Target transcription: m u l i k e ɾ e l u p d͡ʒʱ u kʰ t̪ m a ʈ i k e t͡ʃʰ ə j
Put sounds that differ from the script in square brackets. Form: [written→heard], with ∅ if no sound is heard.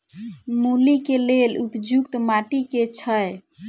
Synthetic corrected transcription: m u l i k e [ɾ→l] e l u p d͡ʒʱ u [kʰ→k] t̪ m a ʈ i k e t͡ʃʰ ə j